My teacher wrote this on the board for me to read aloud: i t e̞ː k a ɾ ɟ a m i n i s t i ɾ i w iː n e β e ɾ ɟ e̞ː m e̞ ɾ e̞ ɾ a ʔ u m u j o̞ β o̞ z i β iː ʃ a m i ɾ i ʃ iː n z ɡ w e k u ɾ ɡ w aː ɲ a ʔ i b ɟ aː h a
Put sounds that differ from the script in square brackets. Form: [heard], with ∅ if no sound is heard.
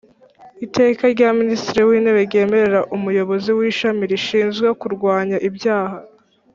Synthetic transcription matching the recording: i t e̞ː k a ɾ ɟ a m i n i s t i ɾ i w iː n e β e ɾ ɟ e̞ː m e̞ ɾ e̞ ɾ a ʔ u m u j o̞ β o̞ z i [w] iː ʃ a m i ɾ i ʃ iː n z ɡ w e k u ɾ ɡ w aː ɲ a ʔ i b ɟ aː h a

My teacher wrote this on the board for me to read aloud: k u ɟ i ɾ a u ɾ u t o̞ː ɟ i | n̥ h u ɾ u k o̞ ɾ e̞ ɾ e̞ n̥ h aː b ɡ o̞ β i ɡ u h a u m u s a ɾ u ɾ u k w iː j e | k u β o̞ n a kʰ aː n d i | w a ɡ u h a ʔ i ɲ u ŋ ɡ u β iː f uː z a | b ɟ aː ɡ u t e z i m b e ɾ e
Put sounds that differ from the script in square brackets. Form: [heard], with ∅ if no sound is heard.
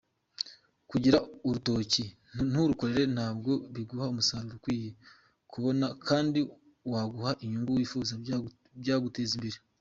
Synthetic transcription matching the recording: k u ɟ i ɾ a u ɾ u t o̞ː [c] i | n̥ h u ɾ u k o̞ ɾ e̞ ɾ e̞ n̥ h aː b ɡ o̞ β i ɡ u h a u m u s a ɾ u ɾ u k w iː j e | k u β o̞ n a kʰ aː n d i | w a ɡ u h a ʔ i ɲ u ŋ ɡ u [w] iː f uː z a | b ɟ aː ɡ u t e z i m b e ɾ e

